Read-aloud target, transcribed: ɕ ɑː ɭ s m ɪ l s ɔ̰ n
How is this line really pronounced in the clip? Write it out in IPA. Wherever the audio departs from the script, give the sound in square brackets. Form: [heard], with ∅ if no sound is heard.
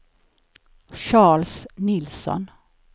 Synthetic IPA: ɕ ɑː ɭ s [n] ɪ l s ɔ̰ n